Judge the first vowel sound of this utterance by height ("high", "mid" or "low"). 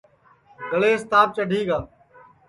mid